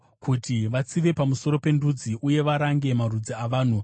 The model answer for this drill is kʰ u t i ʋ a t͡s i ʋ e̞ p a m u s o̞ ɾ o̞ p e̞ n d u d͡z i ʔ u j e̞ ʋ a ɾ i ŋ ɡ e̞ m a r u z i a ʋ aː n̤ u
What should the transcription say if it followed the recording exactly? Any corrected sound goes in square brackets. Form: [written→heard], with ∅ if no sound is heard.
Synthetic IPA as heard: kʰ u t i ʋ a t͡s i ʋ e̞ p a m u s o̞ ɾ o̞ p e̞ n d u d͡z i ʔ u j e̞ ʋ a ɾ [i→a] ŋ ɡ e̞ m a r u [z→d͡z] i a ʋ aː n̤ u